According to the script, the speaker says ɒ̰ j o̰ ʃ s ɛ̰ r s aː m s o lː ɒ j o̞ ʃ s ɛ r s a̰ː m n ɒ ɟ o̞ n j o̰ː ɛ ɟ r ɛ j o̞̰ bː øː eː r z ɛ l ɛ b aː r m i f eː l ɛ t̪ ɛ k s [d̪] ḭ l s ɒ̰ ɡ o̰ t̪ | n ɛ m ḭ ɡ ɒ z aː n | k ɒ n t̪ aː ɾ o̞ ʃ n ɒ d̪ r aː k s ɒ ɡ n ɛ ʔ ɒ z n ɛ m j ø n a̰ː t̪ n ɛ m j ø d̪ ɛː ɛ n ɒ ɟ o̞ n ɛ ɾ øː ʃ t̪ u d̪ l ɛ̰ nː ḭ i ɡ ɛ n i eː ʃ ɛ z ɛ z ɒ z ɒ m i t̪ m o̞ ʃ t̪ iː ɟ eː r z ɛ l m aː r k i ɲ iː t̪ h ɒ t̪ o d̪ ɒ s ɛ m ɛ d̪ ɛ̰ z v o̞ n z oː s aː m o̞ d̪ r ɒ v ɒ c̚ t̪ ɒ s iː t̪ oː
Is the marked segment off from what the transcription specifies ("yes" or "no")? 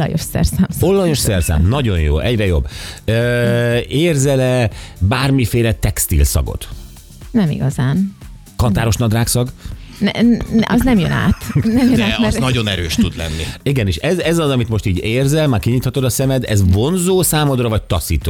yes